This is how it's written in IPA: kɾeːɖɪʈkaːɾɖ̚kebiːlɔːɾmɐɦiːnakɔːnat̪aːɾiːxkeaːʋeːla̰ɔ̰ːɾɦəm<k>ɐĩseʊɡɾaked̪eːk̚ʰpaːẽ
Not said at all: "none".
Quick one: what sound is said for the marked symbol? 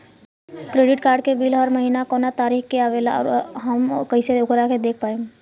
k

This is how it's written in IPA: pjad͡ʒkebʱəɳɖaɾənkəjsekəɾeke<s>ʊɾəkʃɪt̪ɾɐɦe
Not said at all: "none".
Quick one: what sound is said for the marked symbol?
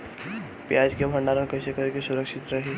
s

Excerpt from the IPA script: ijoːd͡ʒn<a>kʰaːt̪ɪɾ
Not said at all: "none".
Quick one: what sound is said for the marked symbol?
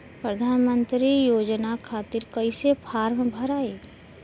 a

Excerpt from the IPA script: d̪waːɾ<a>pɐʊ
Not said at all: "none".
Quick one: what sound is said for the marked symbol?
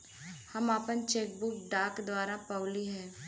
a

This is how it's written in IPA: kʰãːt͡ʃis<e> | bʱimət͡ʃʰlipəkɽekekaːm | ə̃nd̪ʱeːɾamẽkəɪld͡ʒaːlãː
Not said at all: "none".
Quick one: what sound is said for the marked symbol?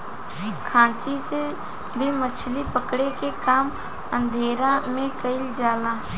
e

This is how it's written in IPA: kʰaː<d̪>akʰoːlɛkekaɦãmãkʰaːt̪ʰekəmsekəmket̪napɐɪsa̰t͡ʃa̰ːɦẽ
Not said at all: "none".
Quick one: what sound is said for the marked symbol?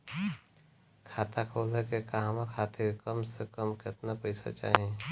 t̪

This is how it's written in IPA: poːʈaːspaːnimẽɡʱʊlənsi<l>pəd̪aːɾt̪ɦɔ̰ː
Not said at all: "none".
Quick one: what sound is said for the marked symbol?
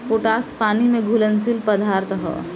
l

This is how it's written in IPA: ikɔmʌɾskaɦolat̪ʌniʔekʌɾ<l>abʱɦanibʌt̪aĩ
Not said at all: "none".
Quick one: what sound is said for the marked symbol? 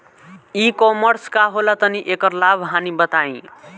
l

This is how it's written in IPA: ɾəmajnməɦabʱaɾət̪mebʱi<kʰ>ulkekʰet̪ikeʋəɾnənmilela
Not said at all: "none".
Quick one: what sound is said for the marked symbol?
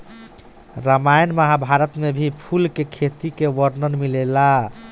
pʰ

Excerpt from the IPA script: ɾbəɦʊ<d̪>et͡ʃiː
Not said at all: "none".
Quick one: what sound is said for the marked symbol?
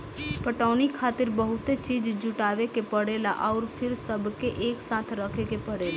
t̪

